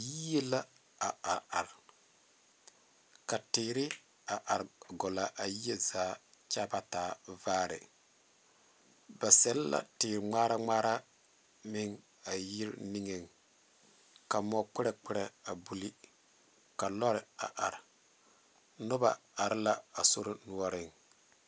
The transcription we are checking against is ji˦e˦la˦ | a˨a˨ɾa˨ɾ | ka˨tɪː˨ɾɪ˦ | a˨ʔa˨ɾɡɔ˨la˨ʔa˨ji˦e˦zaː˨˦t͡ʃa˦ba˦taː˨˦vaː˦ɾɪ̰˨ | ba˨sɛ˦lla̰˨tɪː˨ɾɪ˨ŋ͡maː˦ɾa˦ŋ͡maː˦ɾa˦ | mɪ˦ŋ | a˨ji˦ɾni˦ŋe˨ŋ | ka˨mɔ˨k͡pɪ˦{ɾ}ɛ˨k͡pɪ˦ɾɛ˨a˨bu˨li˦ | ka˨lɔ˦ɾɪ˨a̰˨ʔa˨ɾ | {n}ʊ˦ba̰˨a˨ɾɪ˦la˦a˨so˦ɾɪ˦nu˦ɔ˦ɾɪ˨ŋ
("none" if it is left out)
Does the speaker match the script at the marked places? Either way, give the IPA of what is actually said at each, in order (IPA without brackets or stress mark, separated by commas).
ɾ, n